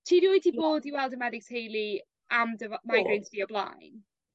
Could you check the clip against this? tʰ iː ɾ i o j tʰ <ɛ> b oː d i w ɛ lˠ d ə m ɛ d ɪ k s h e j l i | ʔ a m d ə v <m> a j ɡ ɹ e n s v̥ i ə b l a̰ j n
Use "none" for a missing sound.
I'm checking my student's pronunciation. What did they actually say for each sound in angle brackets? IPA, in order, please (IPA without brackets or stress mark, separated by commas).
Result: i, m